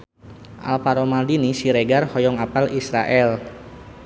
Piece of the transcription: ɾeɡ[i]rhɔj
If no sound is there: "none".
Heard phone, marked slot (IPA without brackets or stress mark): a